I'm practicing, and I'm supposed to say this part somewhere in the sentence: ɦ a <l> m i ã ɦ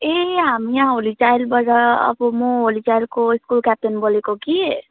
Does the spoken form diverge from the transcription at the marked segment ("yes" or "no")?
yes